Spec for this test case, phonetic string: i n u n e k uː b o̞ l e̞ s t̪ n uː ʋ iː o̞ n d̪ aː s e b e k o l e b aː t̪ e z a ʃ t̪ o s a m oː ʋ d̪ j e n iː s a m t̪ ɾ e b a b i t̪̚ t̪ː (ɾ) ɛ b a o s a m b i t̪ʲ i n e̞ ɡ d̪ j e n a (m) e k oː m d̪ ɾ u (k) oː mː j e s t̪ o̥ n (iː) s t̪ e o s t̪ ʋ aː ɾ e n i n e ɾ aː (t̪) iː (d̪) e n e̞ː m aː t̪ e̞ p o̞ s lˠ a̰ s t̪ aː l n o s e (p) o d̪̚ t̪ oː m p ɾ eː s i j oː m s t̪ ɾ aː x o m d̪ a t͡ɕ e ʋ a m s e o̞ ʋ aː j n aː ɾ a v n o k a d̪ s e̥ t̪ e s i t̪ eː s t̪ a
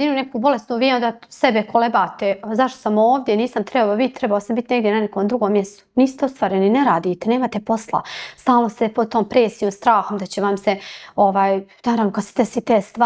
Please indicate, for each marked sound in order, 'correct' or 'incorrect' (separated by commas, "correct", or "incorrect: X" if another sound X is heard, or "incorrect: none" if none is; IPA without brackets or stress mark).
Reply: correct, incorrect: n, incorrect: ɡ, correct, incorrect: d̪, incorrect: t̪, correct